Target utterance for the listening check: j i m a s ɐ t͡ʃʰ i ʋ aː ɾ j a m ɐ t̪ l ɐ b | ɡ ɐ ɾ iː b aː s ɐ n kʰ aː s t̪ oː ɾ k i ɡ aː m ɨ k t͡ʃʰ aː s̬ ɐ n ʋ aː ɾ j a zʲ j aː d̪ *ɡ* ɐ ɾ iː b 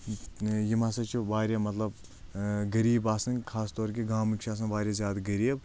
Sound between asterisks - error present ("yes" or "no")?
no